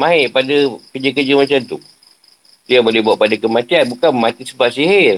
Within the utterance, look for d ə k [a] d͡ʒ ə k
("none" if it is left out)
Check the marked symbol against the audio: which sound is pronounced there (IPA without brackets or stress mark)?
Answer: ə